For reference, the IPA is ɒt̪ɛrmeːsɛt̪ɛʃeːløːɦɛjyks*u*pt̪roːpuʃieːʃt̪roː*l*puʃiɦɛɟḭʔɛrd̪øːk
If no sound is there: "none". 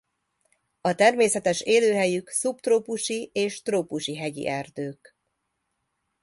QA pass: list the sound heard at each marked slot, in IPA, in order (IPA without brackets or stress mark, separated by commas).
u, none